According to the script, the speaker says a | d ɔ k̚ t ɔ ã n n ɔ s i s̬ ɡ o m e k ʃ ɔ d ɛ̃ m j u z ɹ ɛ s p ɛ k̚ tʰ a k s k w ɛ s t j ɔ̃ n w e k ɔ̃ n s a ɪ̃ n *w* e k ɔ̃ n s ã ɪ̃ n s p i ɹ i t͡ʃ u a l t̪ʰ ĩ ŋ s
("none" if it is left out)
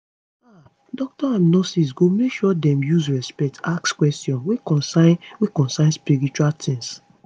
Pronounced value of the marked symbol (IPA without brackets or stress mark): w